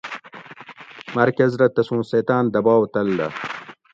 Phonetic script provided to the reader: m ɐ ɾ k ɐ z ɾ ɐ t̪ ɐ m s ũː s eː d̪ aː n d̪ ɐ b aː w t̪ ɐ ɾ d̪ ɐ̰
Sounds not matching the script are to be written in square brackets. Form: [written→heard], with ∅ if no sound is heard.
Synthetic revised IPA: m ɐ ɾ k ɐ z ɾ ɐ t̪ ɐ [m→∅] s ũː s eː [d̪→t̪] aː n d̪ ɐ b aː w t̪ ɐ [ɾ→l] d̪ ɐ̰